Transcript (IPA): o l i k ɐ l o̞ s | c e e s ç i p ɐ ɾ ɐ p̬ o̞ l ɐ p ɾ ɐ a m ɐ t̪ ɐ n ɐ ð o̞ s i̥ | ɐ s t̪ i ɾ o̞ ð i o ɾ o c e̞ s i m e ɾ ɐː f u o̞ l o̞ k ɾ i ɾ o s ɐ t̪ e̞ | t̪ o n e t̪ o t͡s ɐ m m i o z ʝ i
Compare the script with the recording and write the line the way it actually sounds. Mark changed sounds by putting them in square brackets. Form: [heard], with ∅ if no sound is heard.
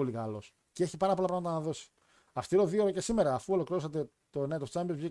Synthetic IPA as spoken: o l i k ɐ l o̞ s | c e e [∅] ç i p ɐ ɾ ɐ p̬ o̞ l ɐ p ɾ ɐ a m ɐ t̪ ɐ n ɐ ð o̞ s i̥ | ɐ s t̪ i ɾ o̞ ð i o ɾ o c e̞ s i m e ɾ ɐː f u o̞ l o̞ k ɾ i ɾ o s ɐ t̪ e̞ | t̪ o n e t̪ o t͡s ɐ m [b] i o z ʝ i